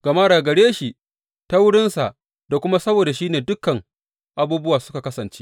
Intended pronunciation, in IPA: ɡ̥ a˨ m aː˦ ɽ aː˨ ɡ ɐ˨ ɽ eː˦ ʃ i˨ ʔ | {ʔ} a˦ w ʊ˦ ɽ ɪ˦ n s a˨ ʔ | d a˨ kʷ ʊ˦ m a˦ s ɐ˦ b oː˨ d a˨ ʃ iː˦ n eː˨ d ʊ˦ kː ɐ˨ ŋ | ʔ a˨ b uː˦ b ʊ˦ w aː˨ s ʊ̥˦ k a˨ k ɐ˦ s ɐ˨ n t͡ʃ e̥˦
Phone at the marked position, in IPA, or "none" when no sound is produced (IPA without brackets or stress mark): t